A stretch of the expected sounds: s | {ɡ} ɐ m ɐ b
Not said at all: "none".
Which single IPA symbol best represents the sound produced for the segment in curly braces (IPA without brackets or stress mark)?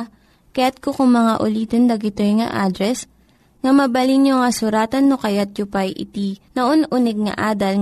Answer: ŋ